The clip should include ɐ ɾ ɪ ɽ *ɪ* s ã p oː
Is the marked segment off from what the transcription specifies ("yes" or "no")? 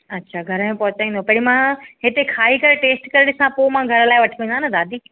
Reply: no